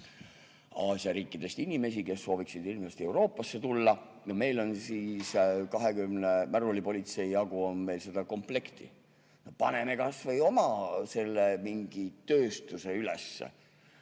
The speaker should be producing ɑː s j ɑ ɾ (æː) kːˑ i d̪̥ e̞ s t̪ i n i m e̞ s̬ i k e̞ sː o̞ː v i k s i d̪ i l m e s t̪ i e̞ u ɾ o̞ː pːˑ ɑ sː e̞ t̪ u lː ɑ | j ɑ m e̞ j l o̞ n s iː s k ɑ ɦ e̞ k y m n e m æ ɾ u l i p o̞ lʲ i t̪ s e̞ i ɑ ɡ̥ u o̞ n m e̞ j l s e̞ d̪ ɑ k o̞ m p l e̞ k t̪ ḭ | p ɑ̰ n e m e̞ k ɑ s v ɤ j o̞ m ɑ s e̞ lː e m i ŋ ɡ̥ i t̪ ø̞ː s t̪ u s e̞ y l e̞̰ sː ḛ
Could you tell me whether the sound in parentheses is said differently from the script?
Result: yes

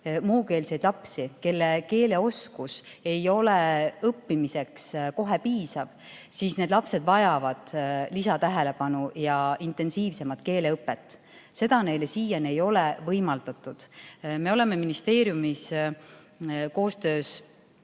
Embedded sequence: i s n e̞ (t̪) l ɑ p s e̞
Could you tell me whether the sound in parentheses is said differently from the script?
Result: yes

